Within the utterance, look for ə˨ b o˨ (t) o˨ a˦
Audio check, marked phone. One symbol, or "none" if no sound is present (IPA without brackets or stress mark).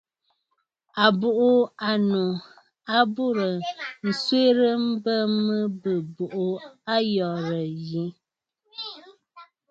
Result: ʔ